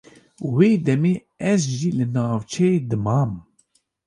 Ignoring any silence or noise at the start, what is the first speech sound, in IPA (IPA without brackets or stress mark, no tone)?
w